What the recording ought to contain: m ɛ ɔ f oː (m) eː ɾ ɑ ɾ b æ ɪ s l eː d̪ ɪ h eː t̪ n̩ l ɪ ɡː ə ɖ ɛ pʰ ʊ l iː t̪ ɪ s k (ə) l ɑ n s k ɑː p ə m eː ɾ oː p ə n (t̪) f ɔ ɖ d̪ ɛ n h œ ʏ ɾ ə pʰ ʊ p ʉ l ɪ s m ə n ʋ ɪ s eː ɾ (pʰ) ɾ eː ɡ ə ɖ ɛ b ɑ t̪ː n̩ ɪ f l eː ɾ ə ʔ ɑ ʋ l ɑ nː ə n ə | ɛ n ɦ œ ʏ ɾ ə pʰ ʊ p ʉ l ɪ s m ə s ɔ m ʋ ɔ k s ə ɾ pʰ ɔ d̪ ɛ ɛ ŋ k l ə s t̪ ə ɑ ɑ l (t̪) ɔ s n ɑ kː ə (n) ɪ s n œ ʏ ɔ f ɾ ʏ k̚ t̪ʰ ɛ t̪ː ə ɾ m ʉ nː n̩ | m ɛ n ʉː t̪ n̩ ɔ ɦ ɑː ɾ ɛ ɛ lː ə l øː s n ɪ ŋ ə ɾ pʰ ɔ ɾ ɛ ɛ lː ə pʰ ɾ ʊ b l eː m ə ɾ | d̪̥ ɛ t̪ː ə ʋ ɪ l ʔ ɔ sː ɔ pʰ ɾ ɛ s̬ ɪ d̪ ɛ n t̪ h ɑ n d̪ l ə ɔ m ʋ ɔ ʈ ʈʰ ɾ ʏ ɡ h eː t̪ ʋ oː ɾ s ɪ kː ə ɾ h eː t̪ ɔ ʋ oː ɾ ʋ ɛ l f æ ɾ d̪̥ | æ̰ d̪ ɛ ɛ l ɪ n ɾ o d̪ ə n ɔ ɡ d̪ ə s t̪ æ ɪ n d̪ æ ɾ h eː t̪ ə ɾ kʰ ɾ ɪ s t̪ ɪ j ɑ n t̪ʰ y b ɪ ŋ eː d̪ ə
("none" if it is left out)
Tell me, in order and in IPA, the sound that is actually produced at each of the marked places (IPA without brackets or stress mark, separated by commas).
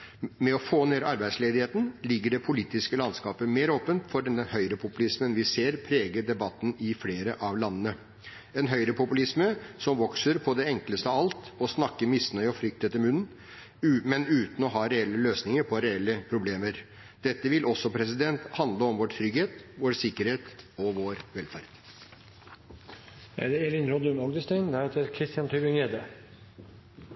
n, ə, t̪, pʰ, t̪, m